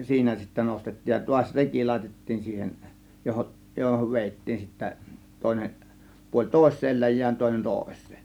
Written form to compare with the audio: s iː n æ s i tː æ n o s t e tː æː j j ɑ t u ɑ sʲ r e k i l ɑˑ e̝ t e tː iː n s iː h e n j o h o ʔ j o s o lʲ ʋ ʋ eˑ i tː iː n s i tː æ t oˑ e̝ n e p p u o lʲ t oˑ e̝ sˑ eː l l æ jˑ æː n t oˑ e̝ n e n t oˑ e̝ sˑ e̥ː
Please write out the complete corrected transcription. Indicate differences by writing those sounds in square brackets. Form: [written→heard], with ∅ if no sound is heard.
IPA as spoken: s iː n æ s i tː æ n o s t e tː [æː→iː] j j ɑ t u ɑ sʲ r e k i l ɑˑ e̝ t e tː iː n s iː h e n j o h o ʔ j o [s→h] o [lʲ→∅] ʋ ʋ eˑ i tː iː n s i tː æ t oˑ e̝ n e [p→ʔ] p u o lʲ t oˑ e̝ sˑ eː l l æ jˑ æː n t oˑ e̝ n e n t oˑ e̝ sˑ e̥ː